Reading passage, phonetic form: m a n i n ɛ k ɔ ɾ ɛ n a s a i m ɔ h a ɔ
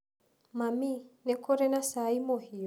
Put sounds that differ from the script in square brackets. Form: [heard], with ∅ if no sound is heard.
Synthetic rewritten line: m a [m] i n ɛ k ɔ ɾ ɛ n a s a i m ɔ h [i] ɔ

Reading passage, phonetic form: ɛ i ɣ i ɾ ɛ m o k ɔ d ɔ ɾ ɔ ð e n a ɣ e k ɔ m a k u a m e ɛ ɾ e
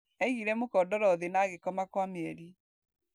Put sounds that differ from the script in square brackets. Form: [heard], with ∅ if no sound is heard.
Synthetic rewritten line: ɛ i ɣ i ɾ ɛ m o k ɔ d ɔ ɾ ɔ ð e n a ɣ e k ɔ m a k [w] a m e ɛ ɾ [i]

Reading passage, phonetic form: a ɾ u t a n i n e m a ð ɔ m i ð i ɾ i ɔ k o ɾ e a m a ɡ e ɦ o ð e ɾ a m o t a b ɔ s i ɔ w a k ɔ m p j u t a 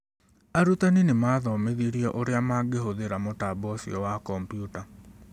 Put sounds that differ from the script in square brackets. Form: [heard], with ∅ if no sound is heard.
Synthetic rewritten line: a ɾ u t a n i n e m a ð ɔ m [e] ð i ɾ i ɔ [ʔ] o ɾ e a m a ɡ e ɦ o ð e ɾ a m o t a b ɔ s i ɔ w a k ɔ m p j u t a

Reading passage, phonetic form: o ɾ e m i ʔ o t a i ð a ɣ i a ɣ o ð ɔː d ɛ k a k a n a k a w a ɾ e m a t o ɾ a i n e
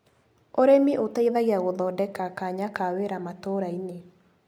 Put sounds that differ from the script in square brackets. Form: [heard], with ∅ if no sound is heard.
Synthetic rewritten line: o ɾ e m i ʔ o t a i ð a ɣ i a ɣ o ð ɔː d ɛ k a k a [ɲ] a k a w [e] ɾ [a] m a t o ɾ a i n e

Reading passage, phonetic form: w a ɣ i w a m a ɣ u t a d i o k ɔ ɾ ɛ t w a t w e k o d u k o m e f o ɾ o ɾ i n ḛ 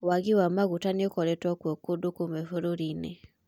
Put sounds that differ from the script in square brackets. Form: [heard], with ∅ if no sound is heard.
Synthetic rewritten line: w a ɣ i w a m a ɣ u t a [n] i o k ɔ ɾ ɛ t w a [k] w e k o d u k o m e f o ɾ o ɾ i n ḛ

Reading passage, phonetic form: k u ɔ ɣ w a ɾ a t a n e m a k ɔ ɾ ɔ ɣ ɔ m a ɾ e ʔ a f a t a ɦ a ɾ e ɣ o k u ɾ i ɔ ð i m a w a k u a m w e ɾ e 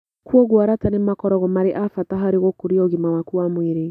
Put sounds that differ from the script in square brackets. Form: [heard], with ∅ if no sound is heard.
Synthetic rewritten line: k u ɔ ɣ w a ɾ a t a n e m a k ɔ ɾ ɔ ɣ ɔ m a ɾ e ʔ a f a t a ɦ a ɾ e ɣ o k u ɾ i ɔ [ɣ] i m a w a k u a m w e ɾ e

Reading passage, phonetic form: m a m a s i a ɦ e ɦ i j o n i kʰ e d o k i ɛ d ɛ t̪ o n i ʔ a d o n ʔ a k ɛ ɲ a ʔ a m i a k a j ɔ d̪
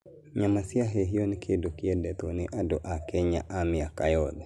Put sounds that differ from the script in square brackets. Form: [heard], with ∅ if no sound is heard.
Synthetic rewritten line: [ɲ] a m a s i a ɦ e ɦ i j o n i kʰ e d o k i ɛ d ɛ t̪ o n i ʔ a d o [∅] ʔ a k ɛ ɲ a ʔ a m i a k a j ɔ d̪

